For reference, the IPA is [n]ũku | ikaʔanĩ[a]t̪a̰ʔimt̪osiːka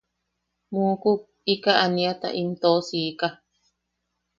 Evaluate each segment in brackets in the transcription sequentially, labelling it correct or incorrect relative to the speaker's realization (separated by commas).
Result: incorrect, correct